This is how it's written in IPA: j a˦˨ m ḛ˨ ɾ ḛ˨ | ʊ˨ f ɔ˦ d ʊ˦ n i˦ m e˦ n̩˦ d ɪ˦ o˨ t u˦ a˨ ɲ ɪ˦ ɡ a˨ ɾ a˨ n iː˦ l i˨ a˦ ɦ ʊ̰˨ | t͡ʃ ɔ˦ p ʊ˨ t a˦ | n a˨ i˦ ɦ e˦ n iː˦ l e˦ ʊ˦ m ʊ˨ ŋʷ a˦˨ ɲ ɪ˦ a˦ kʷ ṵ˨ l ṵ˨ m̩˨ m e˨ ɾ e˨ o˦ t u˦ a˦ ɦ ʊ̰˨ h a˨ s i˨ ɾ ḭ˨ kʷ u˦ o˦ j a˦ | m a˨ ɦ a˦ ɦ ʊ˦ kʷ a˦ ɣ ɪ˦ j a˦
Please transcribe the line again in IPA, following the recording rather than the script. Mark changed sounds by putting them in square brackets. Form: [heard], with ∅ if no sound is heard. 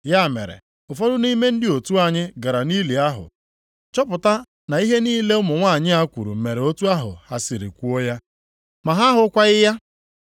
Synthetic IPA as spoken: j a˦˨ m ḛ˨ ɾ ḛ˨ | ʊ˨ f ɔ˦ d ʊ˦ n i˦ m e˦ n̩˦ d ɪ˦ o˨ t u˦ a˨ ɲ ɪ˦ ɡ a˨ ɾ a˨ n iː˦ l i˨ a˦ ɦ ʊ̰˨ | t͡ʃ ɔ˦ p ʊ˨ t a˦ | n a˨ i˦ ɦ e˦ n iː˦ l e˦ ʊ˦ m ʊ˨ ŋʷ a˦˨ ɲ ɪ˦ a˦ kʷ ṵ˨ [ɾ] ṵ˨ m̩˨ m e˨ ɾ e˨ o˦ t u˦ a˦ ɦ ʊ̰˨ h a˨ s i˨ ɾ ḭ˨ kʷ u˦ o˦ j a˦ | m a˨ ɦ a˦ ɦ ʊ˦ kʷ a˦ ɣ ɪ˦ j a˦